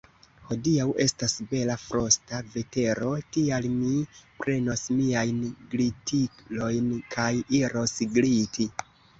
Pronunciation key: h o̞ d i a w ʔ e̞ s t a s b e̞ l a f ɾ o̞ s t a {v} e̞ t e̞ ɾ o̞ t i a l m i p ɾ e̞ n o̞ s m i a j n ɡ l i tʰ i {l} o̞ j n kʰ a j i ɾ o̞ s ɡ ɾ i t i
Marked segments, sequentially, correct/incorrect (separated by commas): correct, correct